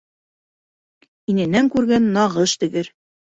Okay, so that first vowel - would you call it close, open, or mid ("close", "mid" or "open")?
close